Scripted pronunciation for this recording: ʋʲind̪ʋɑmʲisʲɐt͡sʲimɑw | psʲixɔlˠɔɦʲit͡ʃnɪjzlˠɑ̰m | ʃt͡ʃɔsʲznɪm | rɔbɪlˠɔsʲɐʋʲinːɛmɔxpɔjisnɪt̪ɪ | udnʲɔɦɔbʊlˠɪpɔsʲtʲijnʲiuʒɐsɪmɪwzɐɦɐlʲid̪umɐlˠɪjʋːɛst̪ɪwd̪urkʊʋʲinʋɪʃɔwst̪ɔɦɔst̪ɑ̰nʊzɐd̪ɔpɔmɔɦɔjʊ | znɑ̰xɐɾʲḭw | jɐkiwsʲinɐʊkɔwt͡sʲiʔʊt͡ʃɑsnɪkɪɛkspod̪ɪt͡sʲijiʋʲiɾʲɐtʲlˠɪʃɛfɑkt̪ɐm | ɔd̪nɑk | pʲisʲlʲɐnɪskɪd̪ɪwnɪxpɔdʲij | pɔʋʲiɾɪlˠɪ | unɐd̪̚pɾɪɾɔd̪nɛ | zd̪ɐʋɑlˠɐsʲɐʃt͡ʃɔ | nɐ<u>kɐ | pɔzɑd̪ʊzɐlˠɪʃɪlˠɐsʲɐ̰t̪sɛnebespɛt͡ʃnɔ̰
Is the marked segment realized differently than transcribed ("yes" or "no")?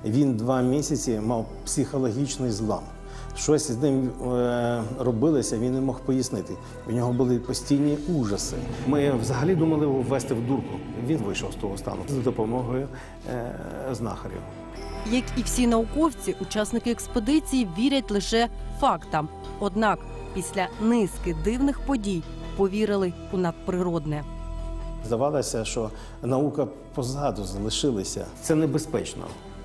no